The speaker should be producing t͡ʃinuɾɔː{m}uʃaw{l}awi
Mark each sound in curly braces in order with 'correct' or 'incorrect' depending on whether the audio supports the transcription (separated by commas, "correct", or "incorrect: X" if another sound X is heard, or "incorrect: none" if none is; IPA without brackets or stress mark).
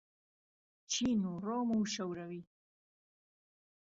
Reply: correct, incorrect: ɾ